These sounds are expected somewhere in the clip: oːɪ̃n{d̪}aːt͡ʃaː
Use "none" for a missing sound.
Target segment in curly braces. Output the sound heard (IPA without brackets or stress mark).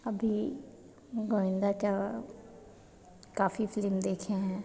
d̪